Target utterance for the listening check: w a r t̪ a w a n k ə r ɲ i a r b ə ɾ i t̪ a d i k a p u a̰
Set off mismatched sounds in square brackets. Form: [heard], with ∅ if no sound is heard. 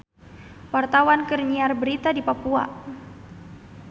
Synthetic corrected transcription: w a r t̪ a w a n k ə r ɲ i a r b ə ɾ i t̪ a d i [p] a p u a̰